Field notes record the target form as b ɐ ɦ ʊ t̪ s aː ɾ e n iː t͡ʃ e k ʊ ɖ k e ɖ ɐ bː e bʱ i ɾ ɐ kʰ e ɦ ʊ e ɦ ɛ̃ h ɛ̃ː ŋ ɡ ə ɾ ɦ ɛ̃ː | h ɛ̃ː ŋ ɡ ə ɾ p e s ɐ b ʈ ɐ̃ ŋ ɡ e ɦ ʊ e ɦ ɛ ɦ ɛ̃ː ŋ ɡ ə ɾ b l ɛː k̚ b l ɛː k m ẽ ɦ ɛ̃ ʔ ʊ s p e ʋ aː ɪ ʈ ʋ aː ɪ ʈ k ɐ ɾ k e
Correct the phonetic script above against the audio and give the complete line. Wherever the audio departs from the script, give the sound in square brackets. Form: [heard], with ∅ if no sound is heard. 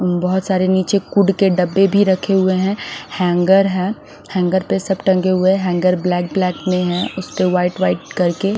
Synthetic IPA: b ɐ ɦ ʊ t̪ s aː ɾ e n iː t͡ʃ e k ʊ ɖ k e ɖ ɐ bː e bʱ i ɾ ɐ kʰ e ɦ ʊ e ɦ ɛ̃ h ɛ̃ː ŋ ɡ ə ɾ ɦ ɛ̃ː | h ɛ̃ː ŋ ɡ ə ɾ p e s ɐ b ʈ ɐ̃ ŋ ɡ e ɦ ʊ e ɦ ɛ ɦ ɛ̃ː ŋ ɡ ə ɾ b l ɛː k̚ b l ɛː k m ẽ ɦ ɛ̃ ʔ ʊ s p e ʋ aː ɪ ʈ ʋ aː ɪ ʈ k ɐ ɾ k e

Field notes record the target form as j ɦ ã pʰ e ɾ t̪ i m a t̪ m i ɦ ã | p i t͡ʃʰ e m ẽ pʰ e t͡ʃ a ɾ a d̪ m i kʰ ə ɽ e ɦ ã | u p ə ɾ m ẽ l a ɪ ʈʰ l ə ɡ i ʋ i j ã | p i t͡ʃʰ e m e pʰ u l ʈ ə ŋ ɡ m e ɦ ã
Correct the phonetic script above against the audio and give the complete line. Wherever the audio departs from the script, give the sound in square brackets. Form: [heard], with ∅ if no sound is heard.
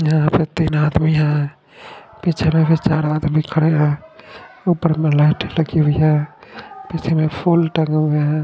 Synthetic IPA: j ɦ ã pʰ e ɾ t̪ i [n] a [d̪] m i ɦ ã | p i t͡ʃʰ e m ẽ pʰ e t͡ʃ a ɾ a d̪ m i kʰ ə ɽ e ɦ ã | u p ə ɾ m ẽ l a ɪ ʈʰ l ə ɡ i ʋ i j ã | p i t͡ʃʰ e m e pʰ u l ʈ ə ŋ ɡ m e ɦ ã

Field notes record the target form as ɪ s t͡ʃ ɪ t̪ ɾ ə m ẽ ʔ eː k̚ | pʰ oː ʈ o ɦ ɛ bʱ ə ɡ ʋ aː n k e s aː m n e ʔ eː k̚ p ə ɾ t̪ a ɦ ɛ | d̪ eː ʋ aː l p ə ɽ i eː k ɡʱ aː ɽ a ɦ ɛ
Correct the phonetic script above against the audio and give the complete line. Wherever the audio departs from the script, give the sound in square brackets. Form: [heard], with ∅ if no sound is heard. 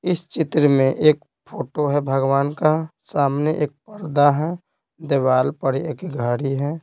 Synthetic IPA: ɪ s t͡ʃ ɪ t̪ ɾ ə m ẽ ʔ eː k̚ | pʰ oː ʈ o ɦ ɛ bʱ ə ɡ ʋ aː n k [a] s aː m n e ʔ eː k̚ p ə ɾ [d̪] a ɦ ɛ | d̪ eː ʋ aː l p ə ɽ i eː k ɡʱ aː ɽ [i] ɦ ɛ

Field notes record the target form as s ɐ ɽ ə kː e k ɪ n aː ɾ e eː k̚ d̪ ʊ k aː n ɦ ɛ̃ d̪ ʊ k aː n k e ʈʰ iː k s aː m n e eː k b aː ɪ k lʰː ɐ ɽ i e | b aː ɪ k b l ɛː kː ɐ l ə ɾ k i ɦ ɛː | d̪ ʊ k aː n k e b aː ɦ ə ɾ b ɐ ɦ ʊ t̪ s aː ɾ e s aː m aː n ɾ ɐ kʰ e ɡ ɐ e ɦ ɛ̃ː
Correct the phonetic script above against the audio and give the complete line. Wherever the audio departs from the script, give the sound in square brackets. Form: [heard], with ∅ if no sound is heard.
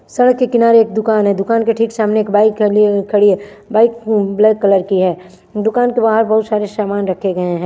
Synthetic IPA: s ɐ ɽ ə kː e k ɪ n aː ɾ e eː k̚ d̪ ʊ k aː n ɦ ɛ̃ d̪ ʊ k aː n k e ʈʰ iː k s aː m n e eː k b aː ɪ k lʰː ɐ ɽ i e | b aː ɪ k b l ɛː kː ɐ l ə ɾ k i ɦ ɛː | d̪ ʊ k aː n k e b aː ɦ ə ɾ b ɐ ɦ ʊ t̪ s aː ɾ e s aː m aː n ɾ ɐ kʰ e ɡ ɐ e ɦ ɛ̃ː

